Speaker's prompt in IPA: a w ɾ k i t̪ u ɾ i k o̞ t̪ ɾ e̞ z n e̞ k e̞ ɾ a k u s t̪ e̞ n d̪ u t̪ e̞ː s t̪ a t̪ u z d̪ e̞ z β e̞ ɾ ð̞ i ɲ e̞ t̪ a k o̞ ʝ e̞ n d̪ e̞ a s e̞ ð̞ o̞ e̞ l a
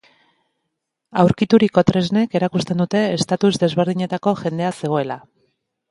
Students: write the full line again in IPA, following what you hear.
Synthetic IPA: a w ɾ k i t̪ u ɾ i k o̞ t̪ ɾ e̞ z n e̞ k e̞ ɾ a k u s t̪ e̞ n d̪ u t̪ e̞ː s t̪ a t̪ u z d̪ e̞ z β e̞ ɾ ð̞ i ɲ e̞ t̪ a k o̞ ʝ e̞ n d̪ e̞ a s e̞ ɣ̞ o̞ e̞ l a